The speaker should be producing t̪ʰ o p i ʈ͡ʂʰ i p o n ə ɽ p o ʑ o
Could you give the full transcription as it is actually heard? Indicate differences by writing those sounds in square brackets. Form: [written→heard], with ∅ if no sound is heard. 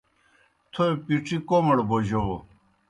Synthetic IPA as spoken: t̪ʰ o p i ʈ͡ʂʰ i [p→k] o [n→m] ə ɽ [p→b] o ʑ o